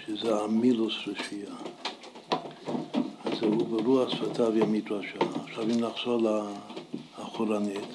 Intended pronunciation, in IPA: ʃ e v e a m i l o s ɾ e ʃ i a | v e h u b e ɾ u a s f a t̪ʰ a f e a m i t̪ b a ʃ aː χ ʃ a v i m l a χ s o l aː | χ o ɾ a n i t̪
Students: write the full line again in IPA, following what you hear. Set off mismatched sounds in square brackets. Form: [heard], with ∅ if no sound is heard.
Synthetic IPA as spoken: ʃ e [z] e a m i l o s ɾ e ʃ i a | [z] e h u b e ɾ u a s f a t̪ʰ a [v] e a m i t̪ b a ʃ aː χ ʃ a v i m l a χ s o l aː | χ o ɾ a n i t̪